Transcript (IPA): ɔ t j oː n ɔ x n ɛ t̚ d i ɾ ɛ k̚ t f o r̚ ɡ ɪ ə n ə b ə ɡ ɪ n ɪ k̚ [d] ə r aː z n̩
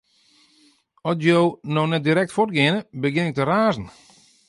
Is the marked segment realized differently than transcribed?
yes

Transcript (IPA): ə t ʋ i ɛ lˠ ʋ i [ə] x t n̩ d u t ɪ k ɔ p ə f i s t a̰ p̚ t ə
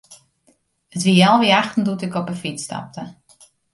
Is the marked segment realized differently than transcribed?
yes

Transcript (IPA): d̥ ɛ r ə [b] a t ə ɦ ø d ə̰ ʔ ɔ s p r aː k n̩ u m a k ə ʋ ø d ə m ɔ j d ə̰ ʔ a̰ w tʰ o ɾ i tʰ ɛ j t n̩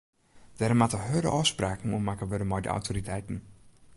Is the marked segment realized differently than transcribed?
yes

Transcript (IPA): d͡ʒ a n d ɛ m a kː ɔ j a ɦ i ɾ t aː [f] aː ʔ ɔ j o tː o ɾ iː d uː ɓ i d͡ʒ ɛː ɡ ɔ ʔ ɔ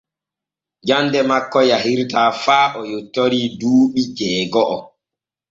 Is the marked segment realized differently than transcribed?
no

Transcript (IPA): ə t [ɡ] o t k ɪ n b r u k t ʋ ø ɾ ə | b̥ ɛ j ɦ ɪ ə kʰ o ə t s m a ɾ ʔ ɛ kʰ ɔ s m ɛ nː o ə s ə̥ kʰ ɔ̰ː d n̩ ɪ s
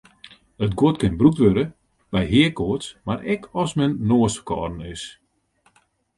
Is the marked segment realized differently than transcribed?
no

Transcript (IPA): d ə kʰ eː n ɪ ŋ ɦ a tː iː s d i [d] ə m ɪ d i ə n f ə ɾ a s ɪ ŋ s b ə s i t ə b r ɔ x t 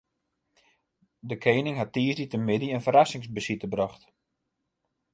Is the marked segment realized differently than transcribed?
yes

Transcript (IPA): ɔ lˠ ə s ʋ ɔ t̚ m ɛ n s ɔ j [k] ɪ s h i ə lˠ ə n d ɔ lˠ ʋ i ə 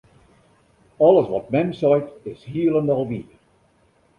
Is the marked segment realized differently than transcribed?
yes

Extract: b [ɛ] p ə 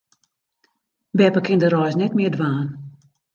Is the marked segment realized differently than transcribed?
no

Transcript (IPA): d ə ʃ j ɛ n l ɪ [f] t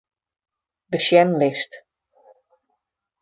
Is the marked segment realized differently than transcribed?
yes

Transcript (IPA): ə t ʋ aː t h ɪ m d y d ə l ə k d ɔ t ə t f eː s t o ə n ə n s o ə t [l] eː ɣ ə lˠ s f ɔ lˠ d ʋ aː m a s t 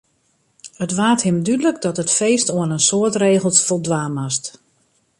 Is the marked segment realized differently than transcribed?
yes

